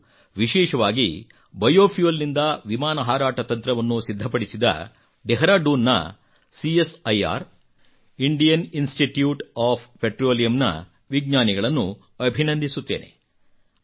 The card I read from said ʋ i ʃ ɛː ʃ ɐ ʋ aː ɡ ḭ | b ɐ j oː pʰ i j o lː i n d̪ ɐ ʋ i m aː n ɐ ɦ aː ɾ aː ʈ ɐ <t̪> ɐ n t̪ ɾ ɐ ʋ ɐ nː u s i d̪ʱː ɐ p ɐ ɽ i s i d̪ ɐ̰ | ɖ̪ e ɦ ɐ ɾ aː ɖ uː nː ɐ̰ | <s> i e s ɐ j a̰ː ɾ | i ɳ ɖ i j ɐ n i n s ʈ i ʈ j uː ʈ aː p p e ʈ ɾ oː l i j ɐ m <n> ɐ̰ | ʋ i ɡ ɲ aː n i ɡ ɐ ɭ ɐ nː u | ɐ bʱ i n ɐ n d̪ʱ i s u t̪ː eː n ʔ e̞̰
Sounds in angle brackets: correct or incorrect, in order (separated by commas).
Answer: correct, correct, correct